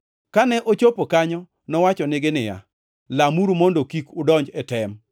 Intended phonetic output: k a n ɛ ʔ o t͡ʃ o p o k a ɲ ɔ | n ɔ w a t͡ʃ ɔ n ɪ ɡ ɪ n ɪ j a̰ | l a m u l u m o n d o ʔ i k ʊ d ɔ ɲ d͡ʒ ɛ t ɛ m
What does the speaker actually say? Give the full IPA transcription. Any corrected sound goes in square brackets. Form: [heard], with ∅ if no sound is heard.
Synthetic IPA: k a n ɛ ʔ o t͡ʃ o p o k a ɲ ɔ | n ɔ w a t͡ʃ ɔ n ɪ ɡ ɪ n ɪ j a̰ | l a m u [ɾ] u m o n d o [k] i k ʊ d ɔ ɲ d͡ʒ ɛ t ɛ m